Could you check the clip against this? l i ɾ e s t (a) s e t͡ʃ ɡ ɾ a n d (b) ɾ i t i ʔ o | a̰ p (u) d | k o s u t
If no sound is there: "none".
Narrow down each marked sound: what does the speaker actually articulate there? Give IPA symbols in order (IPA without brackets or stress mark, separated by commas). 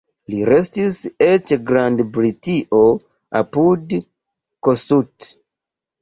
i, b, u